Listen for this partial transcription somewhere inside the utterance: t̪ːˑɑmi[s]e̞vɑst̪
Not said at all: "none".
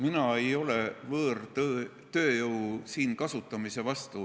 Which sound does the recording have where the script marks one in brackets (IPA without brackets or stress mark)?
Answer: s